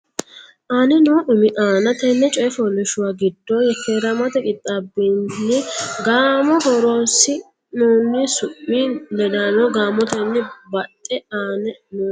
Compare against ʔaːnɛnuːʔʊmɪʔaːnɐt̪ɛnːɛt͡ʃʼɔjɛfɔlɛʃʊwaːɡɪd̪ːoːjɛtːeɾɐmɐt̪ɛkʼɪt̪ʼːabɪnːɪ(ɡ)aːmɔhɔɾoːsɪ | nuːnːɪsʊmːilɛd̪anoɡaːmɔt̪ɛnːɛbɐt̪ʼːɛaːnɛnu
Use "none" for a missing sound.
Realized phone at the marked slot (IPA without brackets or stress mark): ɡ